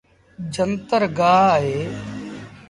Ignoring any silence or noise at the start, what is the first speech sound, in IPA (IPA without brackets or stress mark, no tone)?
d͡ʒ